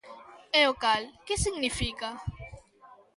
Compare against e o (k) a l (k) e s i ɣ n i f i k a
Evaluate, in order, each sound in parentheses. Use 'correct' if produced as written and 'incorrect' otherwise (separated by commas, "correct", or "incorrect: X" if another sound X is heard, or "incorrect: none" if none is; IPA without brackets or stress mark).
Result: correct, correct